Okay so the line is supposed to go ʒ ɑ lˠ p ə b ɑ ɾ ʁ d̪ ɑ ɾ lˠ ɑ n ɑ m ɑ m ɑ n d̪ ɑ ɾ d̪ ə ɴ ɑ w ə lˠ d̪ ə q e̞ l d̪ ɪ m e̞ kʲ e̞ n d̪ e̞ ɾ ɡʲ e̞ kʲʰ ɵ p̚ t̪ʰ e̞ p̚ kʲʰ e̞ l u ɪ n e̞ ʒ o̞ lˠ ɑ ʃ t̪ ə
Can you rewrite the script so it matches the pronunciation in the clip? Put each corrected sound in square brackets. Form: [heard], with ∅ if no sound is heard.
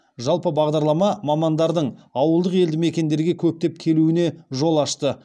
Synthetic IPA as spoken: ʒ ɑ lˠ p ə b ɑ [∅] ʁ d̪ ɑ ɾ lˠ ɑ [m] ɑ m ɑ m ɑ n d̪ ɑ ɾ d̪ ə ɴ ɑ w ə lˠ d̪ ə q e̞ l d̪ ɪ m e̞ kʲ e̞ n d̪ e̞ ɾ ɡʲ e̞ kʲʰ ɵ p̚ [t̪] e̞ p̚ kʲʰ e̞ l u ɪ n e̞ ʒ o̞ lˠ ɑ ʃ t̪ ə